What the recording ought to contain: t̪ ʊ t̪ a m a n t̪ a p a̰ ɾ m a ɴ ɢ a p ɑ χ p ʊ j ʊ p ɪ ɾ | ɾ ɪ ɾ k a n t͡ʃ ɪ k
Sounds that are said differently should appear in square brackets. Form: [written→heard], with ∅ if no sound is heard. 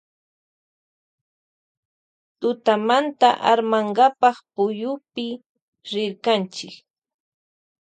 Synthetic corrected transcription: t̪ ʊ t̪ a m a n t̪ a [p→ʔ] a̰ ɾ m a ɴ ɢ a p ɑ χ p ʊ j ʊ p ɪ [ɾ→∅] | ɾ ɪ ɾ k a n t͡ʃ ɪ k

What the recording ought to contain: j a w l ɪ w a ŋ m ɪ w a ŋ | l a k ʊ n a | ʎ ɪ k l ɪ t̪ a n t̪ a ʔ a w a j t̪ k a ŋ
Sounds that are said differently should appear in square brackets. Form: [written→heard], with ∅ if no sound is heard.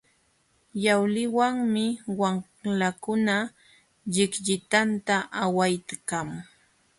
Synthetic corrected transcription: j a w l ɪ w a ŋ m ɪ w a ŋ | l a k ʊ n a | ʎ ɪ k [l→ʎ] ɪ t̪ a n t̪ a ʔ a w a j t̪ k a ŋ

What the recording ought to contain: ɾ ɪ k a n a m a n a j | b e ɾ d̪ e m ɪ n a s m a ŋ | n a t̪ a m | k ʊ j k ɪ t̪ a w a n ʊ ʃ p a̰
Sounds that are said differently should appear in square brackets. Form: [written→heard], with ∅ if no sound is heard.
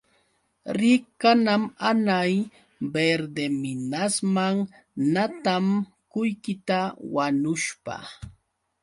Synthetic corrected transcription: ɾ ɪ k a n a m a n a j | b e ɾ d̪ e m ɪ n a s m a ŋ | n a t̪ a m | k ʊ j k ɪ t̪ a w a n ʊ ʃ p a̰

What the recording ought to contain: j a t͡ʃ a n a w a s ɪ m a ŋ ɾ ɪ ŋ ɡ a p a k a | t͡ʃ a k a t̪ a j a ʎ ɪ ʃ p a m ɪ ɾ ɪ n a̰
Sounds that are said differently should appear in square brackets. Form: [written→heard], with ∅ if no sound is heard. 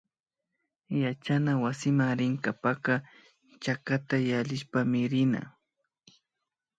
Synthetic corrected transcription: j a t͡ʃ a n a w a s ɪ m a ŋ ɾ ɪ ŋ [ɡ→k] a p a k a | t͡ʃ a k a t̪ a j a ʎ ɪ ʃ p a m ɪ ɾ ɪ n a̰

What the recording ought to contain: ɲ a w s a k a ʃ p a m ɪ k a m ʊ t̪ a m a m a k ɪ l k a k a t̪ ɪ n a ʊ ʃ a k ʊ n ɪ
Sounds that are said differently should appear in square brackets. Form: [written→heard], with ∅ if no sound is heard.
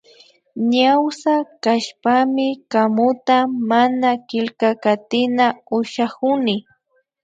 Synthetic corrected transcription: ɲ a w s a k a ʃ p a m ɪ k a m ʊ t̪ a m a [m→n] a k ɪ l k a k a t̪ ɪ n a ʊ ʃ a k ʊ n ɪ

